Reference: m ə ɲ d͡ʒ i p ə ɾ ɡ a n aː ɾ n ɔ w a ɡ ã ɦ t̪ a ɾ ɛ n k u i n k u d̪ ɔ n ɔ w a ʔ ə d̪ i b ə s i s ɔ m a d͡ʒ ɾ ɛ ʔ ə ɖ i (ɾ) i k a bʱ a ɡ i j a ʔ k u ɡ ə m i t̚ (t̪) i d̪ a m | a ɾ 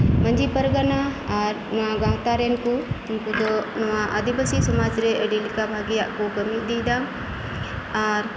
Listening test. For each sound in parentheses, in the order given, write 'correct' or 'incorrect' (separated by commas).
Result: incorrect, incorrect